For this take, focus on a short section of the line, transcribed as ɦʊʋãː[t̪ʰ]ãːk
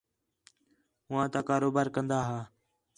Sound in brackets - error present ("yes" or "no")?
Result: yes